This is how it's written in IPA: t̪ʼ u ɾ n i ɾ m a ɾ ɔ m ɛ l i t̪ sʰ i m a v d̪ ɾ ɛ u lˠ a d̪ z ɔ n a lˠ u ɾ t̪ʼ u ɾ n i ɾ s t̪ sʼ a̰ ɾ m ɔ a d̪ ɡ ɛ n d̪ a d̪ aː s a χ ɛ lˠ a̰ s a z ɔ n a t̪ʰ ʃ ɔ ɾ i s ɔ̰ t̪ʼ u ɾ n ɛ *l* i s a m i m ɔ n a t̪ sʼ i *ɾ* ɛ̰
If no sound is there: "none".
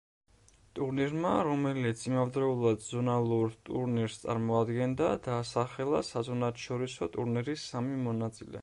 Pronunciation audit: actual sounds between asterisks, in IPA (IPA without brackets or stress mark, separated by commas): ɾ, l